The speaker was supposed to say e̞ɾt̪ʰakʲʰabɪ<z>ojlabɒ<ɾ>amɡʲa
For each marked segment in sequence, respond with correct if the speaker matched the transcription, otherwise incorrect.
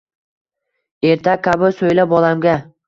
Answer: incorrect, incorrect

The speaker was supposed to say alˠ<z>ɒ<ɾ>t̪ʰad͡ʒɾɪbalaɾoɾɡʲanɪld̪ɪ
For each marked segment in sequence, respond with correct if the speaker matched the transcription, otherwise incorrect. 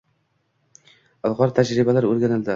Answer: incorrect, correct

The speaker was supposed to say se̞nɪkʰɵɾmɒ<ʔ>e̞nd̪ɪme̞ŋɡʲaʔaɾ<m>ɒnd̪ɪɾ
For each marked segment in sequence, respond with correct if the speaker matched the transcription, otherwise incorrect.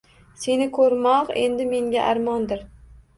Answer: incorrect, correct

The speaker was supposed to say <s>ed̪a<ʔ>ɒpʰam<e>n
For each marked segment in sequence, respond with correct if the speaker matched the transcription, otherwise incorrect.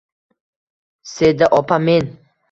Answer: correct, correct, correct

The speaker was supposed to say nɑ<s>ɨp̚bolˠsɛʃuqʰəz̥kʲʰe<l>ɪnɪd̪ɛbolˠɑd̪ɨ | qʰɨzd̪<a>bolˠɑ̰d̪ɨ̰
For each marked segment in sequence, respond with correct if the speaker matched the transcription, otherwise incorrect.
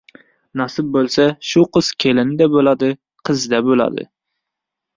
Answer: correct, correct, incorrect

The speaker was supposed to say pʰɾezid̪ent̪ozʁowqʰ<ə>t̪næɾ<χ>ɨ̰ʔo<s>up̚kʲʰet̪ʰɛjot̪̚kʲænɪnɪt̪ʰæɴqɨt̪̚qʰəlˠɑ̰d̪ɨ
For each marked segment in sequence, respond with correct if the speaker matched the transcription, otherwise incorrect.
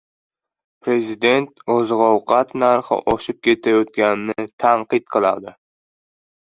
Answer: incorrect, correct, incorrect

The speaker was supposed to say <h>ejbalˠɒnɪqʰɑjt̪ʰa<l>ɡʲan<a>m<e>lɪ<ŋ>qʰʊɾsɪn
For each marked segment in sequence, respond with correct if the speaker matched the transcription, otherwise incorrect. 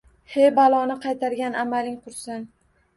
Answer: correct, incorrect, correct, incorrect, correct

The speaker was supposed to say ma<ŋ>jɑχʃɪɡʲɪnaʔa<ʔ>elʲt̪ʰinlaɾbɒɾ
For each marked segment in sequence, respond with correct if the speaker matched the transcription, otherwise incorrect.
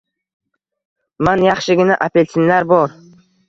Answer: incorrect, incorrect

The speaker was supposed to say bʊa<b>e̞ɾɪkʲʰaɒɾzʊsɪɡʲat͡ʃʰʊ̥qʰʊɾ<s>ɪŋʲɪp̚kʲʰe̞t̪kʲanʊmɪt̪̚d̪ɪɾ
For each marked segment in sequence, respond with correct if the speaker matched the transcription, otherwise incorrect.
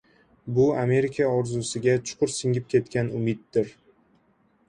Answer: incorrect, correct

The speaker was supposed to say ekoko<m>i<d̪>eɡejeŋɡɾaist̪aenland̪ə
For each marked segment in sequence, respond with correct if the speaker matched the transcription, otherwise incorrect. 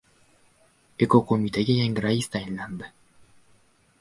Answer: correct, incorrect

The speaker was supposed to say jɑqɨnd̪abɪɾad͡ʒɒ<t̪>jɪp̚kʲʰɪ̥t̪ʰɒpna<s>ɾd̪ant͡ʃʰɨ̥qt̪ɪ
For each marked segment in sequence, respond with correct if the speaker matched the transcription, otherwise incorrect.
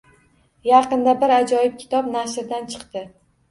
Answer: incorrect, incorrect

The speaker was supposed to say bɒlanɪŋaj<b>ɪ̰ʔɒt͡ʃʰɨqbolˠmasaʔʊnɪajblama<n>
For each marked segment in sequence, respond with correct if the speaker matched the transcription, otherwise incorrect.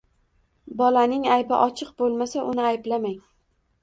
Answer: correct, incorrect

